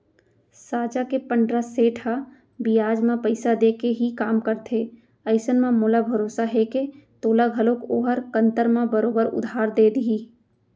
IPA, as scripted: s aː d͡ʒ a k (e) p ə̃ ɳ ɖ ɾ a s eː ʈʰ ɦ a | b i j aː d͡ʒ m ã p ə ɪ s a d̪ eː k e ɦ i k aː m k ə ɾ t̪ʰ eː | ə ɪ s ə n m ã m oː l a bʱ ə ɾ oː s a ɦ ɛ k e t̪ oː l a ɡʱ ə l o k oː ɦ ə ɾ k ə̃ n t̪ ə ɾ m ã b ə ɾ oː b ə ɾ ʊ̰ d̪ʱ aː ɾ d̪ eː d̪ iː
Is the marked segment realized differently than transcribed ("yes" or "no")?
no